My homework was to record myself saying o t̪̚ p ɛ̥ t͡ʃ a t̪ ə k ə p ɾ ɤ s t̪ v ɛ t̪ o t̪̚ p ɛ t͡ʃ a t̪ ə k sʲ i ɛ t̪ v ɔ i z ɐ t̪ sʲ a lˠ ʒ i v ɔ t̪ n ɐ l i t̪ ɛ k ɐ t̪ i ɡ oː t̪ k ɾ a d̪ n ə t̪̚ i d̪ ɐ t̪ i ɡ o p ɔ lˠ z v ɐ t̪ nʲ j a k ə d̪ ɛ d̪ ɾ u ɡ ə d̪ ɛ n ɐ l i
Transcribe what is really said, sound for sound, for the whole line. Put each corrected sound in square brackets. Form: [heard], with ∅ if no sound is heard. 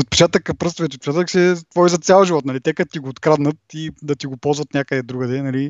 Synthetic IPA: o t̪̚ p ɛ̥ t͡ʃ a t̪ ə k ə p ɾ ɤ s t̪ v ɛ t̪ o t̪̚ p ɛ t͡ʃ a t̪ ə k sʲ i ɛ t̪ v ɔ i z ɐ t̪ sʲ a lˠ ʒ i v ɔ t̪ n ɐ l i t̪ ɛ k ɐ t̪ i ɡ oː t̪ k ɾ a d̪ n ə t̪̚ i d̪ ɐ t̪ i ɡ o p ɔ lˠ z v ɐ t̪ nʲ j a k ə d̪ ɛ d̪ ɾ u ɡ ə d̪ ɛ n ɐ l i